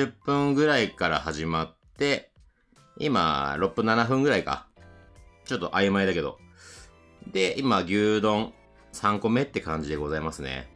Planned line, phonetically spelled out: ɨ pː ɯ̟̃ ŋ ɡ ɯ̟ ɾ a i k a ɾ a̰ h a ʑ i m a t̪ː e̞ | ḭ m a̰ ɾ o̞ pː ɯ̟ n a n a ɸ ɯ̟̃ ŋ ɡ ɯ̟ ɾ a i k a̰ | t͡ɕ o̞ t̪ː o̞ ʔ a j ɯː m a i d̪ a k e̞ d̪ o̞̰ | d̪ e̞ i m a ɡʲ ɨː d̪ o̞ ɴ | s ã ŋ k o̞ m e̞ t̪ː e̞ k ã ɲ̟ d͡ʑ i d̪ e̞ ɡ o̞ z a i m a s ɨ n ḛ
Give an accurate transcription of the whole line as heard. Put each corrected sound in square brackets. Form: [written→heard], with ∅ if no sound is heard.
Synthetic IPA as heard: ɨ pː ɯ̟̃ ŋ ɡ ɯ̟ ɾ a i k a ɾ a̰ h a ʑ i m a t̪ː e̞ | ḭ m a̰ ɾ o̞ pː ɯ̟ n a n a ɸ ɯ̟̃ ŋ ɡ ɯ̟ ɾ a i k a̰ | t͡ɕ o̞ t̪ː o̞ ʔ a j [ɯː→ɯ] m a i d̪ a k e̞ d̪ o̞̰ | d̪ e̞ i m a ɡʲ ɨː d̪ [o̞→õ̞] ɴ | s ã ŋ k o̞ m e̞ t̪ː e̞ k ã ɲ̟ d͡ʑ i d̪ e̞ ɡ o̞ z a i m a s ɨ n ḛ

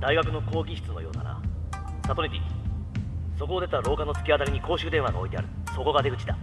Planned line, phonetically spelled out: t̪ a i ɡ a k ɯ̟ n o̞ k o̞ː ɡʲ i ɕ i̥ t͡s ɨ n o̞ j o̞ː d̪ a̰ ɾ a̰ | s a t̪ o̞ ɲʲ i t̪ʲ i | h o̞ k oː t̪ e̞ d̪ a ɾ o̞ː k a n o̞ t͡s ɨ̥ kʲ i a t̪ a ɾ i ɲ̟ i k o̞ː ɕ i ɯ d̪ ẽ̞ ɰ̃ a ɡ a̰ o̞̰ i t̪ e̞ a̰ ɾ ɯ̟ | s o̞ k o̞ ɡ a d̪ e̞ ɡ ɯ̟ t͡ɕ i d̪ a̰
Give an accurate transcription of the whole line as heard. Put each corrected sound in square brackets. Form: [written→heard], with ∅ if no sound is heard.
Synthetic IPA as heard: [t̪→d̪] a i ɡ a k ɯ̟ n o̞ k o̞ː ɡʲ i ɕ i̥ t͡s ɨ n o̞ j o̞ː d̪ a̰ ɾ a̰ | s a t̪ o̞ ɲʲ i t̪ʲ i | [h→s] o̞ k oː [t̪→d̪] e̞ [d̪→t̪] a ɾ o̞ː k a n o̞ t͡s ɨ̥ kʲ i a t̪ a ɾ i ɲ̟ i k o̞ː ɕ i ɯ d̪ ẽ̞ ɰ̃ a ɡ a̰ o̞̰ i t̪ e̞ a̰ ɾ ɯ̟ | s o̞ k o̞ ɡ a d̪ e̞ ɡ ɯ̟ t͡ɕ i d̪ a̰

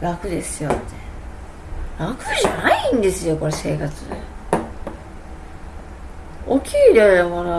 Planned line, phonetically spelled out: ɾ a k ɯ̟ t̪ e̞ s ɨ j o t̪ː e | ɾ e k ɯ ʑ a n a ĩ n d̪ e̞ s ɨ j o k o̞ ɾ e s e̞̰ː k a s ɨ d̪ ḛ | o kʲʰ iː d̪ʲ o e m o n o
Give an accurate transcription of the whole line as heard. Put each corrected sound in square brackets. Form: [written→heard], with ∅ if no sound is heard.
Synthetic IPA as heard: ɾ a k ɯ̟ [t̪→d̪] e̞ s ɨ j o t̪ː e | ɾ [e→a] k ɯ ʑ a n a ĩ n d̪ e̞ s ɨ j o k o̞ ɾ e s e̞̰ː k a [s→t͡s] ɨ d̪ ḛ | o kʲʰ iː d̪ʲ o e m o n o

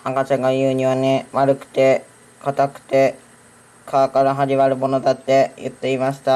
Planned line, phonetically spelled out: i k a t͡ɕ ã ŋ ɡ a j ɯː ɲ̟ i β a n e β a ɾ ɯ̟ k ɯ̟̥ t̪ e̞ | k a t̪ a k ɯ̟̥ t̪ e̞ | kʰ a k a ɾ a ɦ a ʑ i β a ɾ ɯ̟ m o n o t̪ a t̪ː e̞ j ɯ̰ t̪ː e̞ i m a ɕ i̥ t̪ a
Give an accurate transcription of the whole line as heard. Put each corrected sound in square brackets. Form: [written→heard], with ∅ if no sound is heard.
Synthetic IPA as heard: [i→a] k a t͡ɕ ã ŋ ɡ a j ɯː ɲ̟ i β a n e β a ɾ ɯ̟ k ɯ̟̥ t̪ e̞ | k a t̪ a k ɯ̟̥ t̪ e̞ | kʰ a k a ɾ a ɦ a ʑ i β a ɾ ɯ̟ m o n o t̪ a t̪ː e̞ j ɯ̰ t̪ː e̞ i m a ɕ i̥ t̪ a

